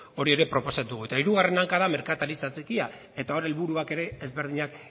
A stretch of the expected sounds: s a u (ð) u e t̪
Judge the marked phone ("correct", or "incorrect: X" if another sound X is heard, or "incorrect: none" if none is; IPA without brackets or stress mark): incorrect: ɣ